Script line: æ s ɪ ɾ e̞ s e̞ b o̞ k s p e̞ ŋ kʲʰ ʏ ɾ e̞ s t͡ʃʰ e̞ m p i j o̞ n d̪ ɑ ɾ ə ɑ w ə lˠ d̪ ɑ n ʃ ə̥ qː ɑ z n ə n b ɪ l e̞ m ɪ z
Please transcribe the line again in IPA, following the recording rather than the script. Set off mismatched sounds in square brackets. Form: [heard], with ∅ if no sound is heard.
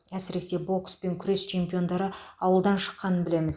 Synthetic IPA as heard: æ s ɪ ɾ e̞ s e̞ b o̞ k s p e̞ ŋ kʲʰ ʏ ɾ e̞ s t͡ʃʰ e̞ m p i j o̞ n d̪ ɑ ɾ ə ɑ w ə lˠ d̪ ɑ n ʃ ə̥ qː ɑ [∅] n ə n b ɪ l e̞ m ɪ z